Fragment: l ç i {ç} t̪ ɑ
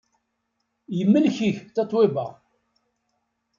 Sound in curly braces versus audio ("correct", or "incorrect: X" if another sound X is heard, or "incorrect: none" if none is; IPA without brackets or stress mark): correct